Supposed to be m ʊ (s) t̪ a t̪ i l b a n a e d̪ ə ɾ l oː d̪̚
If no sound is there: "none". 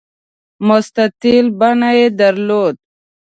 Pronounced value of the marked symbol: s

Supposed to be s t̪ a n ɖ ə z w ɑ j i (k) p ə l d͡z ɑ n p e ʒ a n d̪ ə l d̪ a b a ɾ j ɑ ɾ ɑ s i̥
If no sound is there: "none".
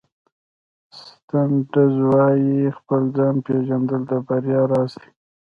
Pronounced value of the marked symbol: x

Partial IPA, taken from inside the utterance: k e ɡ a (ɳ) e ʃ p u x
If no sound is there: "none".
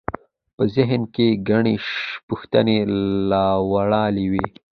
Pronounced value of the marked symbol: ɳ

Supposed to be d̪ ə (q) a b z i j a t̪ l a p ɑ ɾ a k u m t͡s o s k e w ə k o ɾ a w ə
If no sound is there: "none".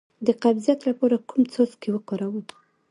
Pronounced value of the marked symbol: q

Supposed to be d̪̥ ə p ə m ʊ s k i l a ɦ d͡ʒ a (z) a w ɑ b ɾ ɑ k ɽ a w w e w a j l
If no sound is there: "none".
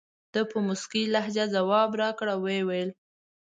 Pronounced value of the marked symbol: z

